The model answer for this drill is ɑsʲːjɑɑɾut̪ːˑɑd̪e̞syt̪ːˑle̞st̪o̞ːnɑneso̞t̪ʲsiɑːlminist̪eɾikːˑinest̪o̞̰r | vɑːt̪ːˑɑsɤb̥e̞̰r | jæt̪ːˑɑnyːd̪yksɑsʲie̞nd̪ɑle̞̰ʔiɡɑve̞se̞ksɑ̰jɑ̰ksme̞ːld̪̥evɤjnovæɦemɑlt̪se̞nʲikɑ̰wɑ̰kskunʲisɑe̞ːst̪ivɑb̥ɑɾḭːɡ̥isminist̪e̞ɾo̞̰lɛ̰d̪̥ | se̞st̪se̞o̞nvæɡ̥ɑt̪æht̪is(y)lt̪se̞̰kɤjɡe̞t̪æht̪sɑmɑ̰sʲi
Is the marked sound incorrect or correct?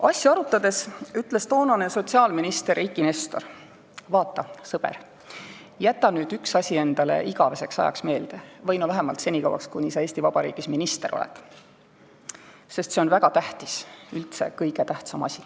correct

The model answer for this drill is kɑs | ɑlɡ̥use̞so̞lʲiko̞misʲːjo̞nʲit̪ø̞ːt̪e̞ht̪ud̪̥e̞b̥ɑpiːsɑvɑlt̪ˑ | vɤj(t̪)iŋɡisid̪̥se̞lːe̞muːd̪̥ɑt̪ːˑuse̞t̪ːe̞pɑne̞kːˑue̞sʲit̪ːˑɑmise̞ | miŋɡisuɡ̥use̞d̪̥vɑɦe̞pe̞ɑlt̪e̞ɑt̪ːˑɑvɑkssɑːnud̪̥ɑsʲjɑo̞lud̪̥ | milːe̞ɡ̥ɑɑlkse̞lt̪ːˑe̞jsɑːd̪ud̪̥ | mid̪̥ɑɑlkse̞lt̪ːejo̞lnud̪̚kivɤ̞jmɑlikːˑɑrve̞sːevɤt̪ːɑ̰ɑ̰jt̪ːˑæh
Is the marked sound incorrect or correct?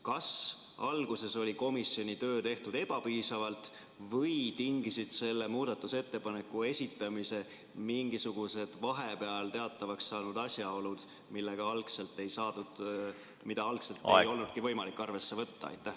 correct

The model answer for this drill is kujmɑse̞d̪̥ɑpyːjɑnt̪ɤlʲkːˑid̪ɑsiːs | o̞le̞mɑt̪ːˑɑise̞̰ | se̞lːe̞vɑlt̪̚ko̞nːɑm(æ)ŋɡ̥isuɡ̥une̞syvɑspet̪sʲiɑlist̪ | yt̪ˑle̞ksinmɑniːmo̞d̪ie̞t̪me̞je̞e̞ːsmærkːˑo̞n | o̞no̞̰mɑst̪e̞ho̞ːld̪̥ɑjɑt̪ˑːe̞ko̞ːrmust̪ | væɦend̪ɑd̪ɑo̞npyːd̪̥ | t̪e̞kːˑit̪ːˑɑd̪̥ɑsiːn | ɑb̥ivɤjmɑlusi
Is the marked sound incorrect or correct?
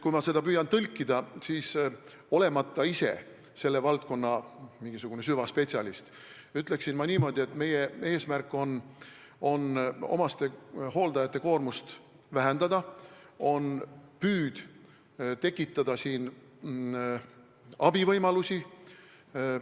incorrect: i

